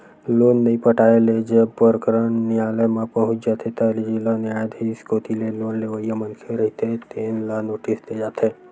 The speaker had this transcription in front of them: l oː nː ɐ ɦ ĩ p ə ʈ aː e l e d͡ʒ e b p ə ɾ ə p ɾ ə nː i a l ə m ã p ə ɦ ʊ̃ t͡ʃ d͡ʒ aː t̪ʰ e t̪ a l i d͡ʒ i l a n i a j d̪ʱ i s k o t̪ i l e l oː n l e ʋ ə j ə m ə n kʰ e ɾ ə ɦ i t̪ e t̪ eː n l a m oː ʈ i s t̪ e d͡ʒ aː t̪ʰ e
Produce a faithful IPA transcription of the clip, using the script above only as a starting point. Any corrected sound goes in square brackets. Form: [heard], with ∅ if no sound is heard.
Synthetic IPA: l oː nː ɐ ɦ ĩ p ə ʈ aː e l e d͡ʒ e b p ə ɾ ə [k] ɾ ə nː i a l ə m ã p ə ɦ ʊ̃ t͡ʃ d͡ʒ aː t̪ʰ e t̪ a l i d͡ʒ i l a n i a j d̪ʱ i s k o t̪ i l e l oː n l e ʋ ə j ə m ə n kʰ e ɾ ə ɦ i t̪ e t̪ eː n l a [n] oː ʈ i s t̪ e d͡ʒ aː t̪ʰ e